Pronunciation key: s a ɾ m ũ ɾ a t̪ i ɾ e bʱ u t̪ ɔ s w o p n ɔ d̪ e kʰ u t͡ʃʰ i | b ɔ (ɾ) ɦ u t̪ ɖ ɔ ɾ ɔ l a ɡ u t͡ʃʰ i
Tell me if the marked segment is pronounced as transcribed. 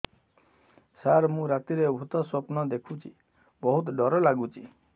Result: no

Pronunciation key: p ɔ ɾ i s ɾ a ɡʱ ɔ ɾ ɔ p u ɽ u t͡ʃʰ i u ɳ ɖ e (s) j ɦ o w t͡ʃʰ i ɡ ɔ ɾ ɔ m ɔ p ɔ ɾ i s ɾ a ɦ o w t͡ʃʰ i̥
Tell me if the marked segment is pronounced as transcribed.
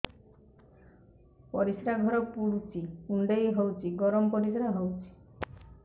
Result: no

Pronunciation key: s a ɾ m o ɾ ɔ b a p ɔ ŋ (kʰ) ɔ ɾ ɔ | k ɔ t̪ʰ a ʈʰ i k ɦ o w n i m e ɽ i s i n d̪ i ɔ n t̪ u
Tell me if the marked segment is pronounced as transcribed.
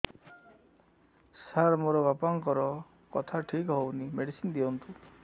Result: no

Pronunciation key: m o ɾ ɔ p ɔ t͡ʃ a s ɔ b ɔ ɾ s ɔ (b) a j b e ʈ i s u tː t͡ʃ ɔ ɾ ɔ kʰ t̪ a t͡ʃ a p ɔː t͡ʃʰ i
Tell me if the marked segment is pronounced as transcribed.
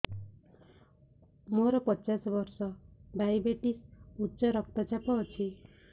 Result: yes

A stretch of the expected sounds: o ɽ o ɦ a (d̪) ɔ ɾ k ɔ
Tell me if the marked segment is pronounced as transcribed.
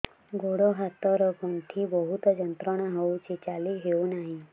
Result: no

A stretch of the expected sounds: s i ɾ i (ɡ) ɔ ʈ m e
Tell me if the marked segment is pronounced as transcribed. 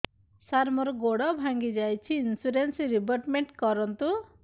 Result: no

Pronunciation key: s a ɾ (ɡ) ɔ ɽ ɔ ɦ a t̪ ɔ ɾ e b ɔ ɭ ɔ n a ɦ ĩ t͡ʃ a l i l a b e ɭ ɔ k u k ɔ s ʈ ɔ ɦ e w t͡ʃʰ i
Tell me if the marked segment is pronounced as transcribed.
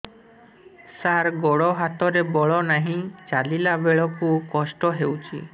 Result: yes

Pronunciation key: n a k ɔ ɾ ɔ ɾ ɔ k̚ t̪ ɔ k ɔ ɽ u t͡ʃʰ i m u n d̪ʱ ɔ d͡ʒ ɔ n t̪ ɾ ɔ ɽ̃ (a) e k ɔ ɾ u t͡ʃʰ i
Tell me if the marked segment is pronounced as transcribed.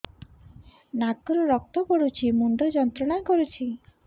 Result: yes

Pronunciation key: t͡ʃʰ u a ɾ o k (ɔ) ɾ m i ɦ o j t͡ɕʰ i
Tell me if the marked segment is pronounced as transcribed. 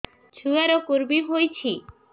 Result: no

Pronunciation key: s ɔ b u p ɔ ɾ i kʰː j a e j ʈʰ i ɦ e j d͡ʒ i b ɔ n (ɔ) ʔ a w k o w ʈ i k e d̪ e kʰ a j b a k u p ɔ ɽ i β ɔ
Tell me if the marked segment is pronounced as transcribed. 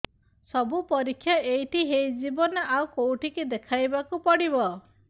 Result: yes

